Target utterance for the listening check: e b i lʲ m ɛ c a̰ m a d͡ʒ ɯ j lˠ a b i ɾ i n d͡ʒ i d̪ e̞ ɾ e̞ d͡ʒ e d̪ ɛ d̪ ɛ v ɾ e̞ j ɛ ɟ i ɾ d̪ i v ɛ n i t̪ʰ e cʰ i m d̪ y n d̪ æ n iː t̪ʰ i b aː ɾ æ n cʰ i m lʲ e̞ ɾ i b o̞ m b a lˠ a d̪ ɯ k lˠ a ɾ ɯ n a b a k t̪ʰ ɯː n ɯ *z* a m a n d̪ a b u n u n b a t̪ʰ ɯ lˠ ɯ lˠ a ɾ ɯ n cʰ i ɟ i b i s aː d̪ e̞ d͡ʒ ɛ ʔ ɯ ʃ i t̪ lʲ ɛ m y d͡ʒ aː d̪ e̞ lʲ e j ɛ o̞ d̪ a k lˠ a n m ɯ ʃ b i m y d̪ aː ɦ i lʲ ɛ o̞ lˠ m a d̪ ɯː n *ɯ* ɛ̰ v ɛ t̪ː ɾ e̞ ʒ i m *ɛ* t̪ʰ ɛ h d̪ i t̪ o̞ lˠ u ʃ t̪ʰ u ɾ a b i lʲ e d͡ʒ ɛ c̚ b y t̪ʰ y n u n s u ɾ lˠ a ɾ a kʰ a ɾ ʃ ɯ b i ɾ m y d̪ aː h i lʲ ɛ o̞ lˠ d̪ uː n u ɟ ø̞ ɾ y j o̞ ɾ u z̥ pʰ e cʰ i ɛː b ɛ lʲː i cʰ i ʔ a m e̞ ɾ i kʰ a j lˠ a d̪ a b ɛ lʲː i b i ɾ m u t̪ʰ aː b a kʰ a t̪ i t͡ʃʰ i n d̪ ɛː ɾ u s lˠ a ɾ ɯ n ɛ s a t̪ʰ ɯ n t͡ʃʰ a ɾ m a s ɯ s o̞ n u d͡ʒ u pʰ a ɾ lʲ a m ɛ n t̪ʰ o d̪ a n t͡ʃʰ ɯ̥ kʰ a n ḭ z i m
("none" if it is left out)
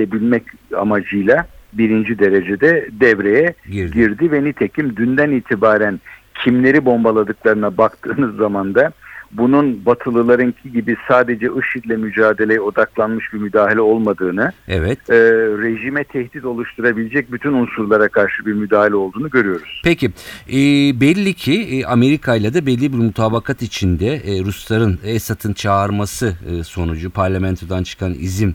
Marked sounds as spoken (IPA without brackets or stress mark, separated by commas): zː, ɯ, ɛ